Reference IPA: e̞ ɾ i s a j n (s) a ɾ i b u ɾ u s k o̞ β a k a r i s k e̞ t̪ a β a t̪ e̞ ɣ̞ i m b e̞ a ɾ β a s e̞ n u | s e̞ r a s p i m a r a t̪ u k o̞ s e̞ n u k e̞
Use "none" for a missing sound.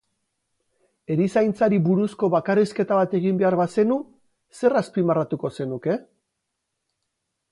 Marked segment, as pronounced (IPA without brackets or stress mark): t͡s